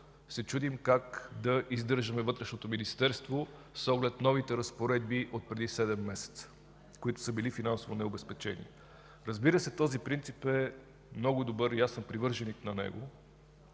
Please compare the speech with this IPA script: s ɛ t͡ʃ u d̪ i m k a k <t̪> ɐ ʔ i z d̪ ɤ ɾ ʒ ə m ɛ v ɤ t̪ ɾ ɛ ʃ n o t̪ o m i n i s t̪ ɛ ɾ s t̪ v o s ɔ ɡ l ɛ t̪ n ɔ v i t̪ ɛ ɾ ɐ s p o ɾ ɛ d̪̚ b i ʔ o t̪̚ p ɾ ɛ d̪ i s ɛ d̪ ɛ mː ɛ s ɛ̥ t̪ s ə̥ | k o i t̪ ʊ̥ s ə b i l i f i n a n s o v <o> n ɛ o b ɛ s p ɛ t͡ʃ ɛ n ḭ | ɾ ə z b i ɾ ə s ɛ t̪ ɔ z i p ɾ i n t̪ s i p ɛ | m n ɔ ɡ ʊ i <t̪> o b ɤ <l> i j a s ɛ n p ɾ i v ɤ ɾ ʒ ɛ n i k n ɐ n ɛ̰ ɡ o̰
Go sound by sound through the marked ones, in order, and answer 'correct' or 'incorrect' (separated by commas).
incorrect, correct, incorrect, incorrect